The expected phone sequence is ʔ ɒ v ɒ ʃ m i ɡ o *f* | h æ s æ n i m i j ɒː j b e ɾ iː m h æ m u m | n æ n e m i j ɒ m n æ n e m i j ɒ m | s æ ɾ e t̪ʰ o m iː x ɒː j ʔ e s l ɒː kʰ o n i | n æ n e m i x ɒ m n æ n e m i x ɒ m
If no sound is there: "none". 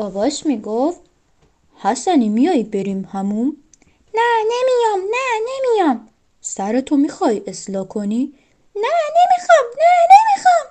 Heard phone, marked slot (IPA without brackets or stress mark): f